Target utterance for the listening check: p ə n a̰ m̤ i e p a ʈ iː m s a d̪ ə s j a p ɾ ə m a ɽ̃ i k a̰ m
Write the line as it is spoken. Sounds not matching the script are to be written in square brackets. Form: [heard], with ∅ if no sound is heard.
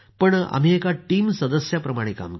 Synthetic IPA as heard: p ə [ɳ] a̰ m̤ i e [k] a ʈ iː m s [ə] d̪ ə s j a p ɾ ə m a ɽ̃ [e] k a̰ m